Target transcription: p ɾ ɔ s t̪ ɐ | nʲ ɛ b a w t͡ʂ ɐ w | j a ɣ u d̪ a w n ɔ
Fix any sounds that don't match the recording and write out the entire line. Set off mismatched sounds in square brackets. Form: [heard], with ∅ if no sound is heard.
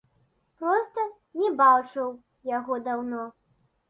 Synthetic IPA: p ɾ ɔ s t̪ ɐ | nʲ ɛ b a w t͡ʂ ɐ w | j a ɣ [ɔ] d̪ a w n ɔ